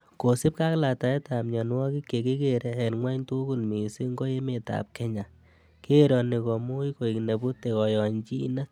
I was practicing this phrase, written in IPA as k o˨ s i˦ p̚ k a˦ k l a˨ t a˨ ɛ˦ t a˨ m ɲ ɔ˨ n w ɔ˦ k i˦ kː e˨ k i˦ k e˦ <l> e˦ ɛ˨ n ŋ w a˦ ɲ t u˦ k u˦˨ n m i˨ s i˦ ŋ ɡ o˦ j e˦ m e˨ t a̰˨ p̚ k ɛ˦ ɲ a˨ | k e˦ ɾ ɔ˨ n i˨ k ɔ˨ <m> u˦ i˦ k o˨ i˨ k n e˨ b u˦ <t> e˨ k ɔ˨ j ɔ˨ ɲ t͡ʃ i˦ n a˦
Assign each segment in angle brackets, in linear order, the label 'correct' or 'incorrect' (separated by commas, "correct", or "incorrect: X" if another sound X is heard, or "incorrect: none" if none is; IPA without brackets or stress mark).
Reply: incorrect: ɾ, correct, correct